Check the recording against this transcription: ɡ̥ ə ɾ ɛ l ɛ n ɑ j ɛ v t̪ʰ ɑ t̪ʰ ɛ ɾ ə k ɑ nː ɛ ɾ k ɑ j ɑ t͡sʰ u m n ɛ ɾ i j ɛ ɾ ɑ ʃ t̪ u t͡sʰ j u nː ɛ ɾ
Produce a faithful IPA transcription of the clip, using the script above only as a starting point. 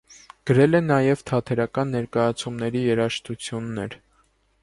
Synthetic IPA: ɡ̥ ə ɾ ɛ l ɛ n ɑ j ɛ v t̪ʰ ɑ t̪ʰ ɛ ɾ ɑ k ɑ nː ɛ ɾ k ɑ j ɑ t͡sʰ u m n ɛ ɾ i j ɛ ɾ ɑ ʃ t̪ u t͡sʰ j u nː ɛ ɾ